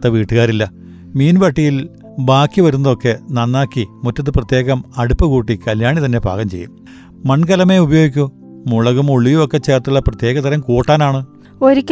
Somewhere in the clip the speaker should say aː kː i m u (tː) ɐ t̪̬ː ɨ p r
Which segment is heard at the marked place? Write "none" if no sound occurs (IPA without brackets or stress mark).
tː